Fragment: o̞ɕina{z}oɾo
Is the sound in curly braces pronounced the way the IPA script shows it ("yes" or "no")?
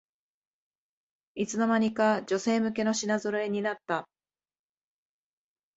yes